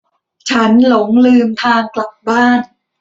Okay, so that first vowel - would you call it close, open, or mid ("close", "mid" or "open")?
open